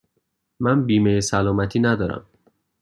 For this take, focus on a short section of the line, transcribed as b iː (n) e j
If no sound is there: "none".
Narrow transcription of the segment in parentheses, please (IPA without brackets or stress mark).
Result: m